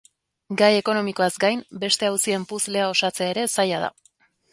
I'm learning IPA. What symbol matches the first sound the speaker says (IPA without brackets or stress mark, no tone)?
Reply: ɡ